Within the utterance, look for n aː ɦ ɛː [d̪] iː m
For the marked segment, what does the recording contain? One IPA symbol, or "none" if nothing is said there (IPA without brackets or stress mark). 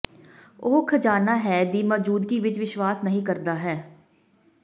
d̪